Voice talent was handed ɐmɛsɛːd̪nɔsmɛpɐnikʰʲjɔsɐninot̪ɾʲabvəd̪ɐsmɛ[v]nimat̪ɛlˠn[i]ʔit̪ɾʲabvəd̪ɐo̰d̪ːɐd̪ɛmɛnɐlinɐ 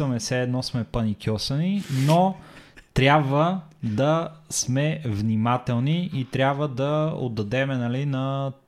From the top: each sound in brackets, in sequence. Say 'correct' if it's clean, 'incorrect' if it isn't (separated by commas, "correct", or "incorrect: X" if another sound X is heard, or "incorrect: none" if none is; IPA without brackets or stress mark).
correct, correct